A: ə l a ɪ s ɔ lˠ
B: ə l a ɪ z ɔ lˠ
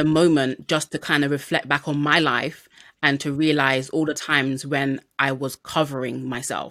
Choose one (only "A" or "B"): B